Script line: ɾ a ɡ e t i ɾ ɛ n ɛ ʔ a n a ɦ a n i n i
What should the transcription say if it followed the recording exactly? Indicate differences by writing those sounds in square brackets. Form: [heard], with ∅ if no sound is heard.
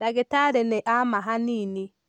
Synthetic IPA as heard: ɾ a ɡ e t [a] ɾ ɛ n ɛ ʔ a [m] a ɦ a n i n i